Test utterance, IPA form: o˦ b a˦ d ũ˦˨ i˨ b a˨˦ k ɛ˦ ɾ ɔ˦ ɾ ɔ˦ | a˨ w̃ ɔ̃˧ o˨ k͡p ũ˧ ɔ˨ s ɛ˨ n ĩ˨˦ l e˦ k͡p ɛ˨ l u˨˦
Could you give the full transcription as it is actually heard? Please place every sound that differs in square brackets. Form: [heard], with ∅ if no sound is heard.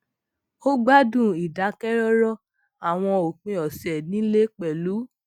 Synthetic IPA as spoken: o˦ [ɡ͡b] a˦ d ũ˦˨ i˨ [d] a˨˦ k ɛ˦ ɾ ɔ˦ ɾ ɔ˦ | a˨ w̃ ɔ̃˧ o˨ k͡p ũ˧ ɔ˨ s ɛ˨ n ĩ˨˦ l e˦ k͡p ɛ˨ l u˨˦